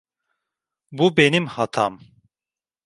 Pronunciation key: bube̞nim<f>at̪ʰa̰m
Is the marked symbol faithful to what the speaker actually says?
no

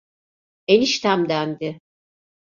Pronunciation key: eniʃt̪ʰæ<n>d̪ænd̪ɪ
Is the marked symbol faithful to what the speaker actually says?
no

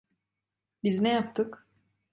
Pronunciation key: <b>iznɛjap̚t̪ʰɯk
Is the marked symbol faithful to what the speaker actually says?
yes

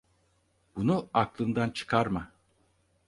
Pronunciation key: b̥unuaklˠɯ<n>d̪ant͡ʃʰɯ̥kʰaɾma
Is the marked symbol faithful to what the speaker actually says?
yes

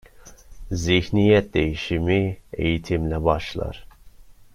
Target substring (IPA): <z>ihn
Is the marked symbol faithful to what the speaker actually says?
yes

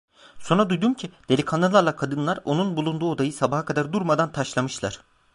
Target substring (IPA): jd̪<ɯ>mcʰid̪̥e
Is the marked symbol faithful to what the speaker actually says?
no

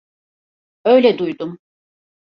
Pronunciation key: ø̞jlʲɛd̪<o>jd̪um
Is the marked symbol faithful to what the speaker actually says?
no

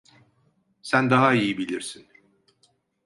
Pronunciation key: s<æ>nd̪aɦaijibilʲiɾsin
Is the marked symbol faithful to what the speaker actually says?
yes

